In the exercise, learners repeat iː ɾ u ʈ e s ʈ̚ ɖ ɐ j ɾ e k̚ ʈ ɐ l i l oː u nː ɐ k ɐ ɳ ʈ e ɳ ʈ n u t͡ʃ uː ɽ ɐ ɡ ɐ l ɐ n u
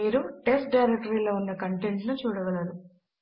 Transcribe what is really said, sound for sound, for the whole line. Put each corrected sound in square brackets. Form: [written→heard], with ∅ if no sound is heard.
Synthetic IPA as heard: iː ɾ u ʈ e s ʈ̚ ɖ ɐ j ɾ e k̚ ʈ ɐ [l→ɾ] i l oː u nː ɐ k ɐ ɳ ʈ e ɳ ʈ n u t͡ʃ uː ɽ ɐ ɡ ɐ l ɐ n u

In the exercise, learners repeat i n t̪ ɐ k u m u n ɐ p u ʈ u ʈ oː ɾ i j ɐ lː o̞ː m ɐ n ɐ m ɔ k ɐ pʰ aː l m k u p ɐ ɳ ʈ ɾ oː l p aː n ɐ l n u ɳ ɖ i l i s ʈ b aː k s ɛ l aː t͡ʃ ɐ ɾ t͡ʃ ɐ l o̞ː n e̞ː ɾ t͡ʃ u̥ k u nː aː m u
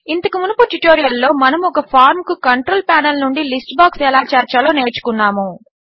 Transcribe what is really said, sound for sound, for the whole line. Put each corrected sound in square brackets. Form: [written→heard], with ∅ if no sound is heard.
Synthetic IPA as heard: i n t̪ ɐ k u m u n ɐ p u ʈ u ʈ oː ɾ i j ɐ lː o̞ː m ɐ n ɐ m ɔ k ɐ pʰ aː [l→ɾ] m k u [p→k] ɐ ɳ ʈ ɾ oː l p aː n ɐ l n u ɳ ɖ i l i s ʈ b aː k s ɛ l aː t͡ʃ ɐ ɾ t͡ʃ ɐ l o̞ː n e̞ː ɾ t͡ʃ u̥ k u nː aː m u

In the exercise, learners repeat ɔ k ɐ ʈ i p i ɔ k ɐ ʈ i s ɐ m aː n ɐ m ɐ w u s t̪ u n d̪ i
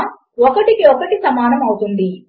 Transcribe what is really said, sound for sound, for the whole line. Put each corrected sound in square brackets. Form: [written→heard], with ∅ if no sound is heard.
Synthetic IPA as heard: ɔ k ɐ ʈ i [p→k] i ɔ k ɐ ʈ i s ɐ m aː n ɐ m ɐ w u [s→∅] t̪ u n d̪ i

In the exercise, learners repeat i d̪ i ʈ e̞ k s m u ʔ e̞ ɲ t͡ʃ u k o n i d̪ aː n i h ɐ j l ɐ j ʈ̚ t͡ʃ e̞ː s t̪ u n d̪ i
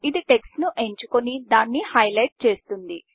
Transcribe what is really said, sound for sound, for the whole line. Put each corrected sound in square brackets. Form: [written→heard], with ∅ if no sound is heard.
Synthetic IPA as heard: i d̪ i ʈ e̞ k s [m→n] u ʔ e̞ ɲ t͡ʃ u k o n i d̪ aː [n→nː] i h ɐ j l ɐ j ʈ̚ t͡ʃ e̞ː s t̪ u n d̪ i

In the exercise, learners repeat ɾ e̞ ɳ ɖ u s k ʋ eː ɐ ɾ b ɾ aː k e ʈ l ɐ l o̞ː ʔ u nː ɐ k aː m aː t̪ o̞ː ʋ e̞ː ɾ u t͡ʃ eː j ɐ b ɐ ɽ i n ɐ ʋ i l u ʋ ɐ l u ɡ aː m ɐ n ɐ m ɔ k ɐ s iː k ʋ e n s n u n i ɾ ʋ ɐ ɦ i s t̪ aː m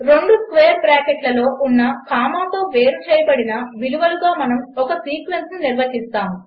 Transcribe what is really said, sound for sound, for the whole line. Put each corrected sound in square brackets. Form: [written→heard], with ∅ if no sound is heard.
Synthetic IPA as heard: ɾ e̞ ɳ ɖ u s k ʋ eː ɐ ɾ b ɾ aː k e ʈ l ɐ l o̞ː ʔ u nː ɐ k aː m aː t̪ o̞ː ʋ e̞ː ɾ u t͡ʃ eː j ɐ b ɐ ɽ i n ɐ ʋ i l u ʋ ɐ l u ɡ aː m ɐ n ɐ m ɔ k ɐ s iː k ʋ e n s n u n i ɾ ʋ ɐ ɦ i s t̪ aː m

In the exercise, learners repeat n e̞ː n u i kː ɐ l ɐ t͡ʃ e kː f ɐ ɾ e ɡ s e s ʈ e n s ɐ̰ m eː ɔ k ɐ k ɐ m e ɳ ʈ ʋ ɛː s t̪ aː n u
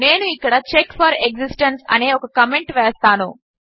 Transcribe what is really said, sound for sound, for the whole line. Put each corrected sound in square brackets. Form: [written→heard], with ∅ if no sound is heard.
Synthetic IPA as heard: n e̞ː n u i kː ɐ [l→ɽ] ɐ t͡ʃ e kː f ɐ ɾ e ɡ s [e→i] s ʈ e n s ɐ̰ [m→n] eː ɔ k ɐ k ɐ m e ɳ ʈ ʋ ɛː s t̪ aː n u

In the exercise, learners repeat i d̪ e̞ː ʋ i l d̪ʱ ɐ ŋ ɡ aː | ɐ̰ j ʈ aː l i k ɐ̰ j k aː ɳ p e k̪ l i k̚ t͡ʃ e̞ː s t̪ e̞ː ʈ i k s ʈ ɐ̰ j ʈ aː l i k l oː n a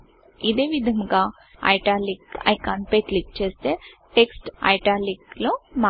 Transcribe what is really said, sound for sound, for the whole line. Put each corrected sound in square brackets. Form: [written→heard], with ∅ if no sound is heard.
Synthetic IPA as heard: i d̪ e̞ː ʋ i [l→∅] d̪ʱ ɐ ŋ ɡ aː | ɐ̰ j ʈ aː l i k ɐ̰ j k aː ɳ p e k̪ l i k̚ t͡ʃ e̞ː s t̪ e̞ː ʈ [i→e] k s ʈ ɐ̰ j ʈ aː l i k l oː [n→m] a

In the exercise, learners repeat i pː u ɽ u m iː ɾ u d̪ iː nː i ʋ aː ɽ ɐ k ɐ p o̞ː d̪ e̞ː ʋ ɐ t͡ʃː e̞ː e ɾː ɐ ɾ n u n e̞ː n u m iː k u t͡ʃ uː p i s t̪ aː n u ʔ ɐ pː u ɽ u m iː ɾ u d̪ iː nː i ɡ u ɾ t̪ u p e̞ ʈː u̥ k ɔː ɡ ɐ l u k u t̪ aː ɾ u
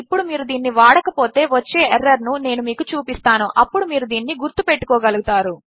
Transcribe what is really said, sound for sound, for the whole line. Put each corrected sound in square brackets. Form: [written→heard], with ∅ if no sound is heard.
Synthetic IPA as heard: i pː u ɽ u m iː ɾ u d̪ iː nː i ʋ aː ɽ ɐ k ɐ p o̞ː [d̪→t̪] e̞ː ʋ ɐ t͡ʃː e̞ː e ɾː ɐ ɾ n u n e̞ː n u m iː k u t͡ʃ uː p i s t̪ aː n u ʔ ɐ pː u ɽ u m iː ɾ u d̪ iː nː i ɡ u ɾ t̪ u p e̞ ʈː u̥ k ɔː ɡ ɐ l u [k→ɡ] u t̪ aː ɾ u

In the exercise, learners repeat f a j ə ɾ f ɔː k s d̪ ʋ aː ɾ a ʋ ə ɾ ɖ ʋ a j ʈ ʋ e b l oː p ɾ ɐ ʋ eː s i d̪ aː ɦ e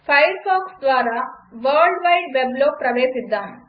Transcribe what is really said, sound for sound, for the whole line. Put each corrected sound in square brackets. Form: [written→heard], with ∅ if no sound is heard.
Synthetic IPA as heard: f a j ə ɾ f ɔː k s d̪ ʋ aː ɾ a ʋ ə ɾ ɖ ʋ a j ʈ ʋ e b l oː p ɾ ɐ ʋ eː s i [d̪→d̪ː] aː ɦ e

